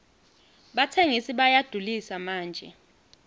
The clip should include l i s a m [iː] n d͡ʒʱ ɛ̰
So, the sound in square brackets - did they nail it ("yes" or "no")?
no